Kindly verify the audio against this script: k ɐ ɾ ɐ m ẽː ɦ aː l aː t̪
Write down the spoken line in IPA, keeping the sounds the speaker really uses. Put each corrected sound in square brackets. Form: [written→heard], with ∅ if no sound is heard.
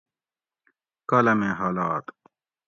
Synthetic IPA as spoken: k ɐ [ɾ→l] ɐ m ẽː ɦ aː l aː t̪